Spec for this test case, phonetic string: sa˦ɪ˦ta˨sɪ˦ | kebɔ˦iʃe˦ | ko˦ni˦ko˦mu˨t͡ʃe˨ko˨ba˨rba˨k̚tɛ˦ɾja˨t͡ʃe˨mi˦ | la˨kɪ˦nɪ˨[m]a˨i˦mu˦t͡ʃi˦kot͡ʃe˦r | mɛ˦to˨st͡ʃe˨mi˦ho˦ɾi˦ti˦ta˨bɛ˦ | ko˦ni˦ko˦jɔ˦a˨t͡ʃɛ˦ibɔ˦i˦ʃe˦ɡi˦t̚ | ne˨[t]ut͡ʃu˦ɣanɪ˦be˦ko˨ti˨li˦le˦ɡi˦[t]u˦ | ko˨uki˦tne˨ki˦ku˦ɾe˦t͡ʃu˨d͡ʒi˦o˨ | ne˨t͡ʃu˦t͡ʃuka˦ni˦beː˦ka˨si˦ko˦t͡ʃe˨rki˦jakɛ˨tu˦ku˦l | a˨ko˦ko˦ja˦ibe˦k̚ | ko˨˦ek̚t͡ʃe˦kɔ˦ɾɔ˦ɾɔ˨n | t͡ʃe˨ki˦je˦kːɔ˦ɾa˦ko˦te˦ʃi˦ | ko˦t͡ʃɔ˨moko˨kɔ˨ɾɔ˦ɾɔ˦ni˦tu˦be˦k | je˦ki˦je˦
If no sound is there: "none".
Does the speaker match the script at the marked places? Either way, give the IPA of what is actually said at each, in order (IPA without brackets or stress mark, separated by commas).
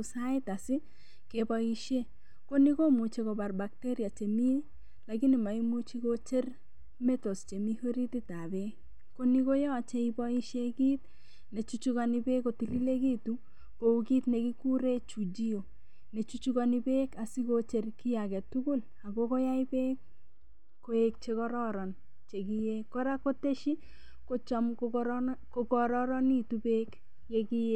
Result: m, t͡ʃ, t